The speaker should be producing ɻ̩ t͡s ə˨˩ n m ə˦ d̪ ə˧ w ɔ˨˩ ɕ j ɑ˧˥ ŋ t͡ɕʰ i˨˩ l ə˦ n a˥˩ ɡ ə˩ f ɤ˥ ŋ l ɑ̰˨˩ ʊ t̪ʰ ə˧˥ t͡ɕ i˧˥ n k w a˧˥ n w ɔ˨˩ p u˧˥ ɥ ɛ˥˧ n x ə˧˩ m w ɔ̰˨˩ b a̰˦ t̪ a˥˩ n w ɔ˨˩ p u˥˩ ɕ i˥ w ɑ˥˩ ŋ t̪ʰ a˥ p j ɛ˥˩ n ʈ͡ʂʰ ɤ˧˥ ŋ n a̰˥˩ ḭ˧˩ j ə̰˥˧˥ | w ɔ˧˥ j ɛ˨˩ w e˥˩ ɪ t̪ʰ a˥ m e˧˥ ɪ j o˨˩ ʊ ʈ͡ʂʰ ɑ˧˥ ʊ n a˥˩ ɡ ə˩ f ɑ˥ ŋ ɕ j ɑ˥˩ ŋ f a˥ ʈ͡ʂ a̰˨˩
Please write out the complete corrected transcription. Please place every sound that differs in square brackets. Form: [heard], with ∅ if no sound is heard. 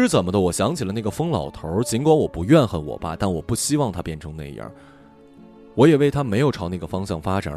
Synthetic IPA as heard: ɻ̩ t͡s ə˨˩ n m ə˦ d̪ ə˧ w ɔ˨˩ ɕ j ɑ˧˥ ŋ t͡ɕʰ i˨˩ l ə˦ n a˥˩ ɡ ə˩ f ɤ˥ ŋ l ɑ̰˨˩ ʊ t̪ʰ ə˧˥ t͡ɕ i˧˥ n k w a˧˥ n w ɔ˨˩ p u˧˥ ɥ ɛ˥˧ n x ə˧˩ [n] w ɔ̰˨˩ b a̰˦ t̪ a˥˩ n w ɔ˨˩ p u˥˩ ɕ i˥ w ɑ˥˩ ŋ t̪ʰ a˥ p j ɛ˥˩ n ʈ͡ʂʰ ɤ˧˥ ŋ n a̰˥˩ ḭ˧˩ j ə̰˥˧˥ | w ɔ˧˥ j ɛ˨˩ w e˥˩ ɪ t̪ʰ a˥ m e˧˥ ɪ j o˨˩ ʊ ʈ͡ʂʰ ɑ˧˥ ʊ n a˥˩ ɡ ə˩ f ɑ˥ ŋ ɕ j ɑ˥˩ ŋ f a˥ ʈ͡ʂ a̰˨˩